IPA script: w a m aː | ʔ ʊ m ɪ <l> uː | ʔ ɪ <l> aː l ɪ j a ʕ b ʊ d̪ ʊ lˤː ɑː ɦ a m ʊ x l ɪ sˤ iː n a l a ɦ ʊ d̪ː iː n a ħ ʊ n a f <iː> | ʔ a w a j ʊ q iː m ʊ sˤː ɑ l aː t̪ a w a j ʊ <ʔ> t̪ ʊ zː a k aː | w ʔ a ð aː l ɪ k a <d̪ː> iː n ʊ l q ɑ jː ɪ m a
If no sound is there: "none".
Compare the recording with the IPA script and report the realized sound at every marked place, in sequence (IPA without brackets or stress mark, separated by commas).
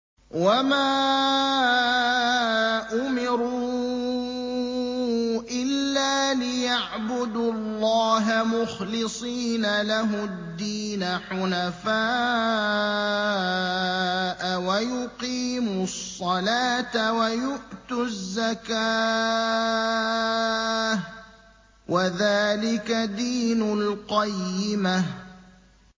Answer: ɾ, lː, aː, ʔ, d̪